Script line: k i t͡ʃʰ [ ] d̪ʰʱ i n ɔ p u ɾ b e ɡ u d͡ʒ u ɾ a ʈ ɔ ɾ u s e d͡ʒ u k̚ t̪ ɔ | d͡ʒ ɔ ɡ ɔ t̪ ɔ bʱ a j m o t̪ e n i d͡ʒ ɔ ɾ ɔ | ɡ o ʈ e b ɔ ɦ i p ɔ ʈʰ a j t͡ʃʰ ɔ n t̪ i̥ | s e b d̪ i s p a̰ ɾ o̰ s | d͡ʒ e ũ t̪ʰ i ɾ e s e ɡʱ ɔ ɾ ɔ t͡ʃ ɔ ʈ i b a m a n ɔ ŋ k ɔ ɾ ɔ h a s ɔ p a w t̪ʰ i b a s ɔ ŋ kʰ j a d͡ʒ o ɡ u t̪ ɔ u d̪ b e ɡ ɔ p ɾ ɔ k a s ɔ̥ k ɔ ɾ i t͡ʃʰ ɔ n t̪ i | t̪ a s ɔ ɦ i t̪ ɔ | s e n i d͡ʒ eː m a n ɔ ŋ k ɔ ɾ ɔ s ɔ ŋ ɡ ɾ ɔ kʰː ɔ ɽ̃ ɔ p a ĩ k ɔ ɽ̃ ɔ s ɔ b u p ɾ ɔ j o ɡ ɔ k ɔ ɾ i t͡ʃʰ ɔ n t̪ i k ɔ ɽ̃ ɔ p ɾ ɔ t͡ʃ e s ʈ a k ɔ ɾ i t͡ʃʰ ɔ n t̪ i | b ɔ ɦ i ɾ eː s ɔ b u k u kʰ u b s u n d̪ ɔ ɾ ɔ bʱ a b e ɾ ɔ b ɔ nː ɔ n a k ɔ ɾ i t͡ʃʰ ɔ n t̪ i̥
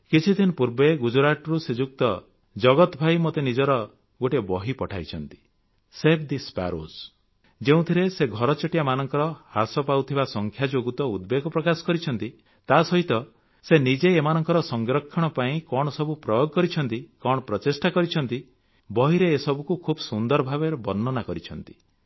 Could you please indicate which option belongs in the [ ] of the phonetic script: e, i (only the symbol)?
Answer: i